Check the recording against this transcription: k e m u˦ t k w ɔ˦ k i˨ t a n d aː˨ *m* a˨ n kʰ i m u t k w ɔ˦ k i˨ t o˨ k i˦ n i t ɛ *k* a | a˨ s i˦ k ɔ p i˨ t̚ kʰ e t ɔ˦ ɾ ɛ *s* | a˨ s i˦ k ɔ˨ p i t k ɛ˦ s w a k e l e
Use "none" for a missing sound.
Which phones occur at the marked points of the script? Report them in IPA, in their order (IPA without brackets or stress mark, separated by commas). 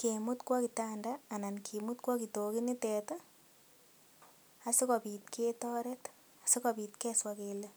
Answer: n, t, t